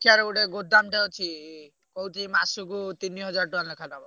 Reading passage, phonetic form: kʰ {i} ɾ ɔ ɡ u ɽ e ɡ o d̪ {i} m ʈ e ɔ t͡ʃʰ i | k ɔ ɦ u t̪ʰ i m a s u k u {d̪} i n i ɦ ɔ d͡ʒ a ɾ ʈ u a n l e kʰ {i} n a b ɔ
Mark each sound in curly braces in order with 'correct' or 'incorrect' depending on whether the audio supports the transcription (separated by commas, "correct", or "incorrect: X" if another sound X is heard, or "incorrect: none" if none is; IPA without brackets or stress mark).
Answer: incorrect: a, incorrect: a, incorrect: t̪, incorrect: a